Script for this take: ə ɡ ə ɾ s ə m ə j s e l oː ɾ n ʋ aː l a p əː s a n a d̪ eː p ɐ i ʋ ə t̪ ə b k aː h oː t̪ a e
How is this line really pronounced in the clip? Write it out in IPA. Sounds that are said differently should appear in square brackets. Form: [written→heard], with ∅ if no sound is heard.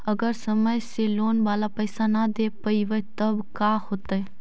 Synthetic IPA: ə ɡ ə ɾ s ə m ə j s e l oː [ɾ→∅] n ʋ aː l a p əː s a n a d̪ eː p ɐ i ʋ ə t̪ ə b k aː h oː t̪ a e